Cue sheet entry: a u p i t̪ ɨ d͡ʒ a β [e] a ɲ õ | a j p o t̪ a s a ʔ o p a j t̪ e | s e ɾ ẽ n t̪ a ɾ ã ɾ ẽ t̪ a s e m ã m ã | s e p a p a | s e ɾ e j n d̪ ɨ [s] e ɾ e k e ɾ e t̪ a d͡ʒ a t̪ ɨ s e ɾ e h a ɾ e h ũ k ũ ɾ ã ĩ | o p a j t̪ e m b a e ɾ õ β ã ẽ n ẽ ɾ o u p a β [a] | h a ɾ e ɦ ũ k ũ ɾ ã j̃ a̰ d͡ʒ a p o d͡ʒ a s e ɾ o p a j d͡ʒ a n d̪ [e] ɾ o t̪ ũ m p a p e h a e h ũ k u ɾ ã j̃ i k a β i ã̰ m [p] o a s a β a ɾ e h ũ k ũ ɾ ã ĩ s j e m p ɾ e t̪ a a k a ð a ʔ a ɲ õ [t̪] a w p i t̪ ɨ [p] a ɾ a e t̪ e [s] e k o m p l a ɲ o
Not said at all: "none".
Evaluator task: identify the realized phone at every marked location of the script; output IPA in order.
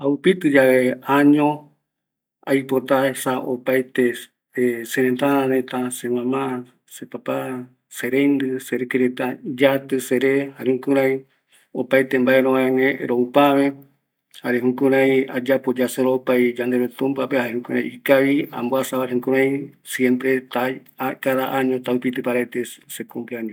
e, s, e, e, b, t̪, p, s

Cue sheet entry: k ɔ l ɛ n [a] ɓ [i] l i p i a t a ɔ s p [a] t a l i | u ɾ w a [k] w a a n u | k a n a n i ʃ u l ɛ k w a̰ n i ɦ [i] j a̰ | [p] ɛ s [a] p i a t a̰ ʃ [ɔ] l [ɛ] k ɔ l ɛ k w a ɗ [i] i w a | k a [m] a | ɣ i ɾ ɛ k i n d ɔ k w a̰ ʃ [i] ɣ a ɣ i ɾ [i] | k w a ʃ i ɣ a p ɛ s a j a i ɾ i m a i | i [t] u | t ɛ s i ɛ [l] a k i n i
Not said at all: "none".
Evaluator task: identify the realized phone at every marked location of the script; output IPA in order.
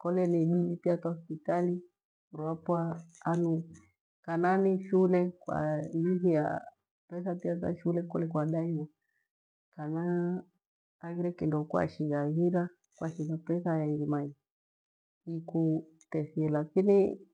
i, i, i, p, i, p, a, u, ɛ, a, n, i, a, k, l

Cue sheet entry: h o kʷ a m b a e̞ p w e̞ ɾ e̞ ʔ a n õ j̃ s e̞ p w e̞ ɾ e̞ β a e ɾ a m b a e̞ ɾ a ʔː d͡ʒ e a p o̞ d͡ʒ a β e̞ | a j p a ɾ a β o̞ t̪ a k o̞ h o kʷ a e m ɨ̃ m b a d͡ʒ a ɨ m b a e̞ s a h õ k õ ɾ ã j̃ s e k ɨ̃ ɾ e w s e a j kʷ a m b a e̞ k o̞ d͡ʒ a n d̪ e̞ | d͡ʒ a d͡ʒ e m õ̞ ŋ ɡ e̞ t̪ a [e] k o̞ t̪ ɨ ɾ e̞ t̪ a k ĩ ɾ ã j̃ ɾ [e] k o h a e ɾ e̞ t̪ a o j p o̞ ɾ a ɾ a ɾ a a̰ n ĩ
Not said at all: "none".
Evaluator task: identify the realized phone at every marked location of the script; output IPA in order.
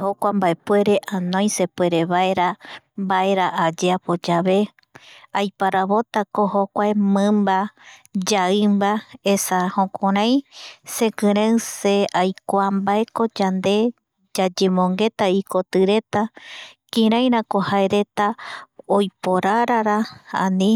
i, a

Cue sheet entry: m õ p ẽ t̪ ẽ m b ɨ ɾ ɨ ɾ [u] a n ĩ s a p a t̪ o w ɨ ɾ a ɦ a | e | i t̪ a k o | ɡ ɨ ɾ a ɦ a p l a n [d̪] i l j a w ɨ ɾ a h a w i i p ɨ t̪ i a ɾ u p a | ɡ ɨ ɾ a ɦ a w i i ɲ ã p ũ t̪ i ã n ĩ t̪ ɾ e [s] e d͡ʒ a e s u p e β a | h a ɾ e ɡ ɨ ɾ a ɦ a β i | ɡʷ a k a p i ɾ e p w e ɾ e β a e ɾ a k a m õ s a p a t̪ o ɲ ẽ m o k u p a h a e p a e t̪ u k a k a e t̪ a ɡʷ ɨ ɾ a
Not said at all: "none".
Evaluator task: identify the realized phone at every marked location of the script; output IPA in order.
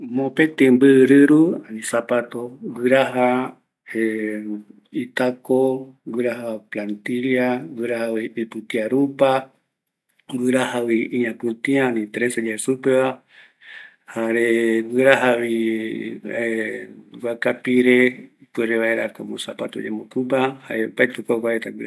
u, t̪, s

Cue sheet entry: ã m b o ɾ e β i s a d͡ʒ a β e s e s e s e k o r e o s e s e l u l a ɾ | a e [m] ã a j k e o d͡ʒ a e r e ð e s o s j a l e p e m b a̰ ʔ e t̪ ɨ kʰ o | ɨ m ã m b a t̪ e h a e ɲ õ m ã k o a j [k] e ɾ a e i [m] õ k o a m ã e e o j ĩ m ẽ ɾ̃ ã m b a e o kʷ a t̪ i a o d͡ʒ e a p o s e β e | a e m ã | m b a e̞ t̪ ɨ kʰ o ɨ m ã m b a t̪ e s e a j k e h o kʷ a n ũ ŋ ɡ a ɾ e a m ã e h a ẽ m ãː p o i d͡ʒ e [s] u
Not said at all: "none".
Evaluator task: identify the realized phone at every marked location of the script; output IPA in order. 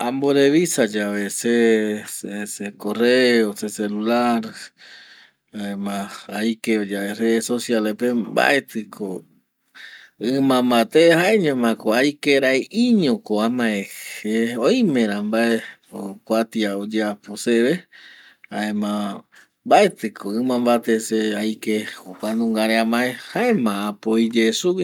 m, k, ɲ, s

